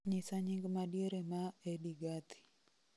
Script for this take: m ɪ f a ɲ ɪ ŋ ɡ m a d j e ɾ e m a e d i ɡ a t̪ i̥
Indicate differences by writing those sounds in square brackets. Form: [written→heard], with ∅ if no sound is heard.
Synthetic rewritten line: [m→ɲ] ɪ [f→s] a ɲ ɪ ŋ ɡ m a d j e ɾ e m a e d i ɡ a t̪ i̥

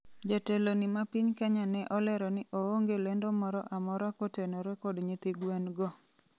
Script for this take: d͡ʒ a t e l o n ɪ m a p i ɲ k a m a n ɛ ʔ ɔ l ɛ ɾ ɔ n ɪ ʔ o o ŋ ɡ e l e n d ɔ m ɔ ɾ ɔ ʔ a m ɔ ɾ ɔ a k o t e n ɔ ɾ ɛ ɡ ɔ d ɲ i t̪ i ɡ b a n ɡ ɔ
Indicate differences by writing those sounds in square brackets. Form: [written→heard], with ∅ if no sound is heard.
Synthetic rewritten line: d͡ʒ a t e l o n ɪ m a p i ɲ k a [m→ɲ] a n ɛ ʔ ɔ l ɛ ɾ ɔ n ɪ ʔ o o ŋ ɡ e l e n d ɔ m ɔ ɾ ɔ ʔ a m ɔ ɾ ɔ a k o t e n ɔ ɾ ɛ [ɡ→k] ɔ d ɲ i t̪ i ɡ [b→w] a n ɡ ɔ

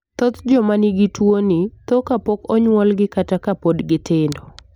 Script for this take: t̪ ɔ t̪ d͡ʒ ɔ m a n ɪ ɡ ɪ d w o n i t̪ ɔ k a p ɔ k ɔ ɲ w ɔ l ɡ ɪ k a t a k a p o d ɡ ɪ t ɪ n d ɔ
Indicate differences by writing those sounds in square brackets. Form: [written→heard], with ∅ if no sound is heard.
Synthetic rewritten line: t̪ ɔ t̪ d͡ʒ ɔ m a n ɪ ɡ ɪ [d→t] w o n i t̪ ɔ k a p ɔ k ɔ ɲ w ɔ l ɡ ɪ k a t a k a p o d ɡ ɪ t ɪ n d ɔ

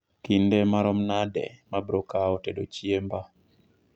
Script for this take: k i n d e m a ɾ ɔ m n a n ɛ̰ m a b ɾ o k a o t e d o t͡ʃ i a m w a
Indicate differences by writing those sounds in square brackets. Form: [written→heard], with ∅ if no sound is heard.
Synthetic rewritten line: k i n d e m a ɾ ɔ m n a [n→d] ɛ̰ m a b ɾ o k a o t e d o t͡ʃ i [a→e] m [w→b] a

